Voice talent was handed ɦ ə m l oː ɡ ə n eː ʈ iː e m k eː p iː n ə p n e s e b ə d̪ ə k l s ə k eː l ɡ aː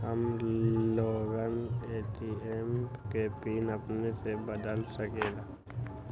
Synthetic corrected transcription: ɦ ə m l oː ɡ ə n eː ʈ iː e m k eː p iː n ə p n e s e b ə d̪ ə l s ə k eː ɡ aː